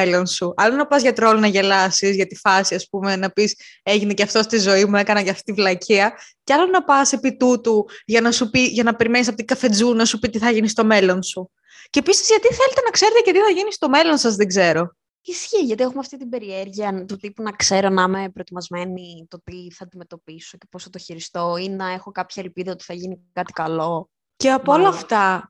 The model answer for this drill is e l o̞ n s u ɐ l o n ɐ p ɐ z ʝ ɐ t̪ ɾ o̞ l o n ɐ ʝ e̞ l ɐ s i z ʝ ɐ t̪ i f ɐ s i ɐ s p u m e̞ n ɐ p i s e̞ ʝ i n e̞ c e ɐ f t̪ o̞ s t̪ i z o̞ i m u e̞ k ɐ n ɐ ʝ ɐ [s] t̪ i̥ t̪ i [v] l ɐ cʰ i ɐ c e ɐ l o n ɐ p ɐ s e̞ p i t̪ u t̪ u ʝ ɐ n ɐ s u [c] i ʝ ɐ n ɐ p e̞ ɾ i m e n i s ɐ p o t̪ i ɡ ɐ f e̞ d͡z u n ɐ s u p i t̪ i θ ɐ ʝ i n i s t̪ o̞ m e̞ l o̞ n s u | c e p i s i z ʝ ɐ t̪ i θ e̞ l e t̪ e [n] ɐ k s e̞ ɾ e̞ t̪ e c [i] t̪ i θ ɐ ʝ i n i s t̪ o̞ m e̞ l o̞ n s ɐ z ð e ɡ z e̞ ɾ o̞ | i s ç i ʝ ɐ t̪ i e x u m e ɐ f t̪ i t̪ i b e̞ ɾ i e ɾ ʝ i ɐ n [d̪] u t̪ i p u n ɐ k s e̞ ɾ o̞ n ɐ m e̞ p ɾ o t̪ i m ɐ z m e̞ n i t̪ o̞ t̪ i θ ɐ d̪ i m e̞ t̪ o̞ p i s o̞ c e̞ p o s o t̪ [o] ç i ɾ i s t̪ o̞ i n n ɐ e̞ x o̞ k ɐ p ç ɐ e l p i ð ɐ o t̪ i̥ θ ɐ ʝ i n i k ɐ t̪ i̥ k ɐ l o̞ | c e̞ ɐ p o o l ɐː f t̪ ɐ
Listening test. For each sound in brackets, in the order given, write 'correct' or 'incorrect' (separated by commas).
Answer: incorrect, correct, incorrect, correct, incorrect, incorrect, correct